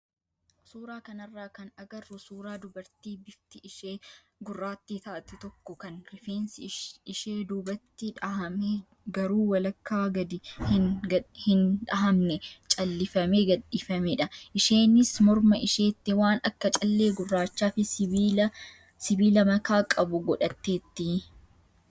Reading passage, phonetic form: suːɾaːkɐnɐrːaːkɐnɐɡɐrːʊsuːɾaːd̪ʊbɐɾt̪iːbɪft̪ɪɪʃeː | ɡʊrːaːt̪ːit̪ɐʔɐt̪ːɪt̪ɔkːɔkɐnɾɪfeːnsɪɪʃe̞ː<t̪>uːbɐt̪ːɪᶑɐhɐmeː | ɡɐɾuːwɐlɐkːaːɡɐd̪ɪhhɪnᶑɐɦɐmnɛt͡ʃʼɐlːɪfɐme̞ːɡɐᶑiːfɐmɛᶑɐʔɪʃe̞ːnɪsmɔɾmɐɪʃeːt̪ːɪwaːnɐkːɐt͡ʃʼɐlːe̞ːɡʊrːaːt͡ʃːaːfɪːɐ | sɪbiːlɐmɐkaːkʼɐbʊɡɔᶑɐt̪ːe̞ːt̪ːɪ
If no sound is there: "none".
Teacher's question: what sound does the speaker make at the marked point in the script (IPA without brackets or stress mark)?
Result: d̪